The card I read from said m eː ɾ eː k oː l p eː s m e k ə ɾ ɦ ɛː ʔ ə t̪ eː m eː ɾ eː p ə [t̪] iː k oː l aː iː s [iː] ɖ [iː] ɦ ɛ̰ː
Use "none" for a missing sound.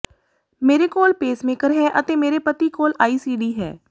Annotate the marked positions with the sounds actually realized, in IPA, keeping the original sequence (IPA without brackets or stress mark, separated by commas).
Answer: t̪, iː, iː